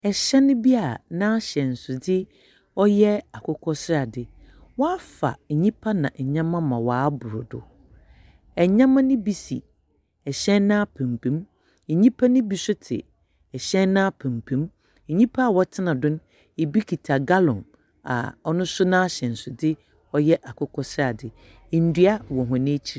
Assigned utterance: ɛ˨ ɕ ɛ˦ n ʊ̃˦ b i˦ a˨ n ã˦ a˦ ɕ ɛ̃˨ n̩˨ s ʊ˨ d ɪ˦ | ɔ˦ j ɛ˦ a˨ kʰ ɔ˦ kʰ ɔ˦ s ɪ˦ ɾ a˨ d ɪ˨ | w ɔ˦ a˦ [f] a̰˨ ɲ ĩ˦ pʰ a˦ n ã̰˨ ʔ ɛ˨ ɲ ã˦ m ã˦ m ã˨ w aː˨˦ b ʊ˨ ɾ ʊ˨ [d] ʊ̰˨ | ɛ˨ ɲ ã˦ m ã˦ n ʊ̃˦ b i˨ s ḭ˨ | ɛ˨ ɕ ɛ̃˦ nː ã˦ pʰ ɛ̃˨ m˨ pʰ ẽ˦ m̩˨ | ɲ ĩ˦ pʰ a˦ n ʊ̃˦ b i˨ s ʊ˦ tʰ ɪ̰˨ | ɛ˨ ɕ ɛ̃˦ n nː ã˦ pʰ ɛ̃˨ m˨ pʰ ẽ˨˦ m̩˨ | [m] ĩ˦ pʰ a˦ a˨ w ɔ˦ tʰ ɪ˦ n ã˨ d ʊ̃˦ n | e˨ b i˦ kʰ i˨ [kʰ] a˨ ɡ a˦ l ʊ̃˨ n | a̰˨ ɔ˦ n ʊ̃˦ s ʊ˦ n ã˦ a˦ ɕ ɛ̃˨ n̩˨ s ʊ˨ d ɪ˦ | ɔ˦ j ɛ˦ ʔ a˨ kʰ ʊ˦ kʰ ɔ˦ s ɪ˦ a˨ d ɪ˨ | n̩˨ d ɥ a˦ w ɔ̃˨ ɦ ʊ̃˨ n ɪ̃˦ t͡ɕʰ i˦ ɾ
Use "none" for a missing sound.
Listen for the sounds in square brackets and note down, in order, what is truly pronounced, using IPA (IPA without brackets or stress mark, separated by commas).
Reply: f, d, ɲ, tʰ